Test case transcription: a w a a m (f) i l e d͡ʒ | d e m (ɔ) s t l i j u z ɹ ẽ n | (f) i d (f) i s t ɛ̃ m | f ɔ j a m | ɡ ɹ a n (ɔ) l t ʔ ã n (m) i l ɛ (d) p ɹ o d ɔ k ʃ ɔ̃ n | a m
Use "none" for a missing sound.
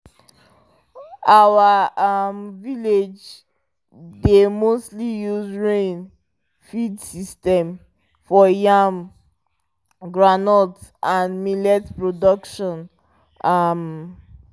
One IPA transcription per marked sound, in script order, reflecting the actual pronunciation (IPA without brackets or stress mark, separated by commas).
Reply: v, o, f, s, ɔ, m, t